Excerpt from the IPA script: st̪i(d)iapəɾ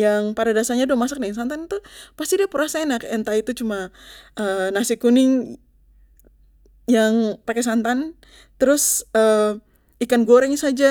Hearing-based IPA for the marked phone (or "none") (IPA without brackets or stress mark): d